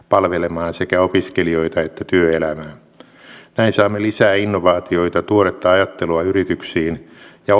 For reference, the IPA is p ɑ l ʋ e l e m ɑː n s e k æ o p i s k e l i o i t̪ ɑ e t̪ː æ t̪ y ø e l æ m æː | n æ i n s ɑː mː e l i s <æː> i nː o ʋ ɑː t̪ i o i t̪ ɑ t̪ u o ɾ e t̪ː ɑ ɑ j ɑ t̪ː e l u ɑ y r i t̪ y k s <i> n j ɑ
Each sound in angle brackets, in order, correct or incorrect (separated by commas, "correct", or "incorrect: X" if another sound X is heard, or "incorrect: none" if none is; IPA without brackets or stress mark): correct, incorrect: iː